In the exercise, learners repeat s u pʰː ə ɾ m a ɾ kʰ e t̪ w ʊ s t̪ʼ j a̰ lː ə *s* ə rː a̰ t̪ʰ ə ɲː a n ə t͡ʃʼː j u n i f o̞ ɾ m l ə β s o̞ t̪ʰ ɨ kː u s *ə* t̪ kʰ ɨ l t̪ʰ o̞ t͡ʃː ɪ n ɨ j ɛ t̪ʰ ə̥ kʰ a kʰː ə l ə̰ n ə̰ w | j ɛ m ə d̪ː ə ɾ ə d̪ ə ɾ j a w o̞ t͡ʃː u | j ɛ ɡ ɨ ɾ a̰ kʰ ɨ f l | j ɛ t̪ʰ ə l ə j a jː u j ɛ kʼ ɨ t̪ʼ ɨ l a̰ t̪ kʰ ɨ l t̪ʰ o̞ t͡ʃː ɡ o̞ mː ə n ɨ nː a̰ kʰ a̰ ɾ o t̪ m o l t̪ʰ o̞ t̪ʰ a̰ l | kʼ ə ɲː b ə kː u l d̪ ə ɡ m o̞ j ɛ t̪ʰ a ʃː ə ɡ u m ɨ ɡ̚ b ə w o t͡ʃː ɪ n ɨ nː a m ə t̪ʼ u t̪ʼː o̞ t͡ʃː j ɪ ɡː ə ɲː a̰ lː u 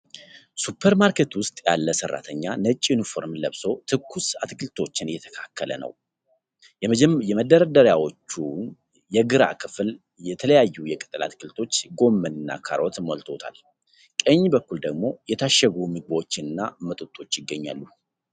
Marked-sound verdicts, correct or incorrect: correct, incorrect: a

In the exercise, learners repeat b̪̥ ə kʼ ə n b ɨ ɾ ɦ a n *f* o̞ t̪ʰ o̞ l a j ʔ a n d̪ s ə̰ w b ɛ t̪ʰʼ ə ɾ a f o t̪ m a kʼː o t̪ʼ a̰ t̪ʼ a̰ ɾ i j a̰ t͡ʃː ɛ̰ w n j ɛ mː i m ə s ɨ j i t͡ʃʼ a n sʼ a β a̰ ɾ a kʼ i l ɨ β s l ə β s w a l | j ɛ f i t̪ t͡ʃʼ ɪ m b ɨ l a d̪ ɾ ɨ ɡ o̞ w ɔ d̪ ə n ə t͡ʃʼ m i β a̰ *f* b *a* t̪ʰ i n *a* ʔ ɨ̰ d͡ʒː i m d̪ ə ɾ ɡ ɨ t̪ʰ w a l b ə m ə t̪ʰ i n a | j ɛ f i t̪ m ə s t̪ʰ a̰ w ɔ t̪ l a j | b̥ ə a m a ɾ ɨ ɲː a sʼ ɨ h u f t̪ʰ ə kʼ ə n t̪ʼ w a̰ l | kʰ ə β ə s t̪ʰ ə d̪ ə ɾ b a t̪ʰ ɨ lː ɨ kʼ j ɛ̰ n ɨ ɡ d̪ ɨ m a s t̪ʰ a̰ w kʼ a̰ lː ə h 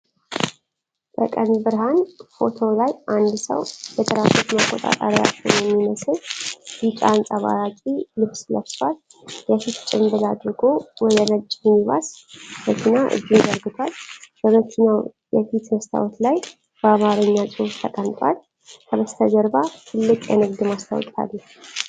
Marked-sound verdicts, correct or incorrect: correct, incorrect: s, incorrect: ə, correct

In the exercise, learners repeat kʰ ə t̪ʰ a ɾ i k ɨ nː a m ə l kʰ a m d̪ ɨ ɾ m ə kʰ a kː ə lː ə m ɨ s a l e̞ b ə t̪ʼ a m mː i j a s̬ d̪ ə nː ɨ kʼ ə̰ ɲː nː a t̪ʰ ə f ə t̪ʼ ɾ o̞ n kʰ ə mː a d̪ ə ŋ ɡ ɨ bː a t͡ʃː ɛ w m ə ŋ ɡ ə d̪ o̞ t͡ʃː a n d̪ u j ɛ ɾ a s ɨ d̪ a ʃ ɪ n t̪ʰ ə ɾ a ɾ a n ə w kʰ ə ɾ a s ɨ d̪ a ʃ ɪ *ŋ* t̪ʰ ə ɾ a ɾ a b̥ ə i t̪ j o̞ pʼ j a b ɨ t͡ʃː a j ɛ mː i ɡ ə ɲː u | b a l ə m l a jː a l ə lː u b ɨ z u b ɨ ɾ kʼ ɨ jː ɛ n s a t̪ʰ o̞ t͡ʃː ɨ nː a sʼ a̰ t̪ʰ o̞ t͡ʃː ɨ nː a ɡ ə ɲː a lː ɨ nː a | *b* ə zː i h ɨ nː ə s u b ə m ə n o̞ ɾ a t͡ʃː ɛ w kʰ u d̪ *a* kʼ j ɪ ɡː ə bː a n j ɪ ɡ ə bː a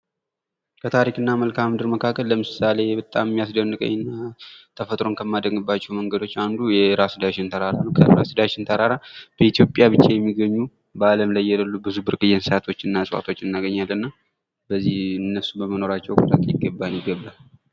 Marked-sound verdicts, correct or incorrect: incorrect: n, correct, correct

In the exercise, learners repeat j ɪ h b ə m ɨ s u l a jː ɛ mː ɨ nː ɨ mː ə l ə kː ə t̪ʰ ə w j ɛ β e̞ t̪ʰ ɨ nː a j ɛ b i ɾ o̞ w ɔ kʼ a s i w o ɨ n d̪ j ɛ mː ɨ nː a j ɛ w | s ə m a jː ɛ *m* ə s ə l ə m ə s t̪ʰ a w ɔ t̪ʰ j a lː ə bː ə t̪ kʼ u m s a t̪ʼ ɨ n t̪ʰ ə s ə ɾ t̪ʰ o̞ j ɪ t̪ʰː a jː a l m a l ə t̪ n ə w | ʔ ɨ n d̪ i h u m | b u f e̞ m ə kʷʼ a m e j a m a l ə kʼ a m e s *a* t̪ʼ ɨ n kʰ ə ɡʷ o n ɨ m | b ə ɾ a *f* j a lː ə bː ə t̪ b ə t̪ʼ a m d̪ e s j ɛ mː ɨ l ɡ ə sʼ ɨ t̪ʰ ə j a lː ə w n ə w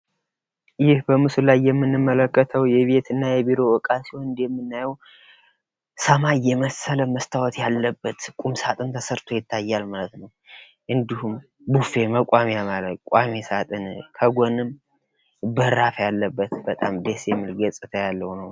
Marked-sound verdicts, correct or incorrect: correct, correct, correct

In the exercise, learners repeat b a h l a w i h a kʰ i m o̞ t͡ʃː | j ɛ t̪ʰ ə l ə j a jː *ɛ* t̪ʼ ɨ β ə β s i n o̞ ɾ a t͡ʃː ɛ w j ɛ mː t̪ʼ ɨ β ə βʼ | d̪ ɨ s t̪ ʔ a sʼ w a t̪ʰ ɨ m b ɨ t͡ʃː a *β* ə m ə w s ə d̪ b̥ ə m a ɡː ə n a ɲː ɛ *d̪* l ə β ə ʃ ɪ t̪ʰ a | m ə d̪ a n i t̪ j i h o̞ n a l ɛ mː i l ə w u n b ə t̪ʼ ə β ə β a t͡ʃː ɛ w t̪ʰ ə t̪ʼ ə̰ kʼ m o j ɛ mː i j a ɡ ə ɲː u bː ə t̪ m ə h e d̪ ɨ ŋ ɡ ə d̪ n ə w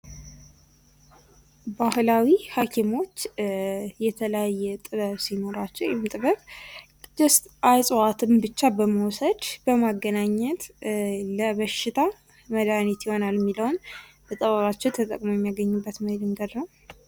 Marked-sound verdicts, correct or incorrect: correct, incorrect: b, incorrect: t̪

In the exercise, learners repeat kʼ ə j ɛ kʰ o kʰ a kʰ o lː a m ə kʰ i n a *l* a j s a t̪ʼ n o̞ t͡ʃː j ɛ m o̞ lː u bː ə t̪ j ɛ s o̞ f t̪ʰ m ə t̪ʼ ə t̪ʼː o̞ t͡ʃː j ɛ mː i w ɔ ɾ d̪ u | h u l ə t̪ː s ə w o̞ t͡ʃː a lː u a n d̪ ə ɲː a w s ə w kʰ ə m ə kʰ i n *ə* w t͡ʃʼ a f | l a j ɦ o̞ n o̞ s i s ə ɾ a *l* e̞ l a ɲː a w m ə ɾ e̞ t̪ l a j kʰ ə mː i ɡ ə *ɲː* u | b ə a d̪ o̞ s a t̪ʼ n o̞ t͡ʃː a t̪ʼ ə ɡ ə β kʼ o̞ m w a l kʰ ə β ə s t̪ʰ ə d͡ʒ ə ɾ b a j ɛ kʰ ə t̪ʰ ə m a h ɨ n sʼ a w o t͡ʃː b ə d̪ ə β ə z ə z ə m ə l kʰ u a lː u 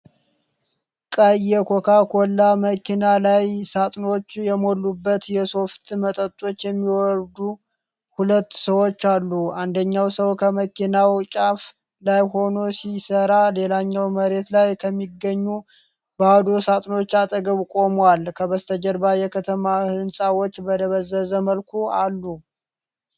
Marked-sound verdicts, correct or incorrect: correct, incorrect: a, correct, correct

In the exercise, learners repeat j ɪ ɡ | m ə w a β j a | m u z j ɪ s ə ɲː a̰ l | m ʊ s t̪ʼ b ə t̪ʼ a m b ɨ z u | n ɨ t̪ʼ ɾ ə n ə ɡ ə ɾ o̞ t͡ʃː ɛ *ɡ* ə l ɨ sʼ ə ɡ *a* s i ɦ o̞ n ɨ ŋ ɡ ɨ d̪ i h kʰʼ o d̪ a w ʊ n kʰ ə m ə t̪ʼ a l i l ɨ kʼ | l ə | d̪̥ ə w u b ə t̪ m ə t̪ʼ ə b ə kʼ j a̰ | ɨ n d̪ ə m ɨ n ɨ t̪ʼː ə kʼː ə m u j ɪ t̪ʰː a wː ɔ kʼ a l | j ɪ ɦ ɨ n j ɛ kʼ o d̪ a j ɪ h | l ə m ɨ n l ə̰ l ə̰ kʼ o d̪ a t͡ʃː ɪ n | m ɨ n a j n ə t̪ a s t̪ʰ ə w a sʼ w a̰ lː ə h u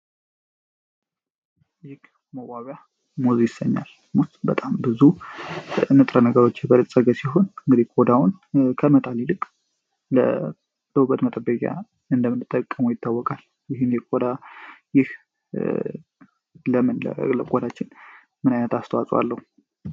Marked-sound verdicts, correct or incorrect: incorrect: b, incorrect: ə

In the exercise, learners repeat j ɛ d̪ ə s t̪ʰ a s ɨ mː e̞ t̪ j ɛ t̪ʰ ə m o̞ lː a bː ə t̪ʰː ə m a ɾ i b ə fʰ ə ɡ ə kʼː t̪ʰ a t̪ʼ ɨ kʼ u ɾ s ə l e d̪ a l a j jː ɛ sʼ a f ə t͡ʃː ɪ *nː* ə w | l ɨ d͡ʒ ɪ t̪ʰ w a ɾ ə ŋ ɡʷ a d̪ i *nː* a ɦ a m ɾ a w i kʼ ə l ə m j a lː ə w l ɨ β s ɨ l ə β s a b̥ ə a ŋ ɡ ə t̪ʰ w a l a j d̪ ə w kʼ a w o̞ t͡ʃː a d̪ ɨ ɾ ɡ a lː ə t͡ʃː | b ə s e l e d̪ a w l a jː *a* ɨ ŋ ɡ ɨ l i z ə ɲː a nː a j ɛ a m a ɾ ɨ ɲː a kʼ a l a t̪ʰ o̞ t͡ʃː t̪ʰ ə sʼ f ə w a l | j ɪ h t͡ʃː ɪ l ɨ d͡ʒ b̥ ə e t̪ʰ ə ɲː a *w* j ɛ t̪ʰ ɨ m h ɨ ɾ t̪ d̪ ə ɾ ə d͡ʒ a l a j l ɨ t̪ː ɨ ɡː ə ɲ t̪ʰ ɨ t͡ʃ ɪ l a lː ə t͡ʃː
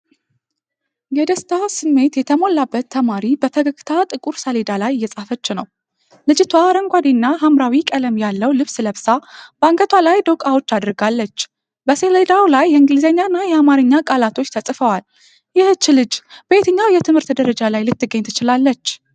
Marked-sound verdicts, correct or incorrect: incorrect: n, correct, incorrect: ɛ, correct

